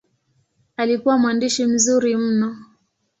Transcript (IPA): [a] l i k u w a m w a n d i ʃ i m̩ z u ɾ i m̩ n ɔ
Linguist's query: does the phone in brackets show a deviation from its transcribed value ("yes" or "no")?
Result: no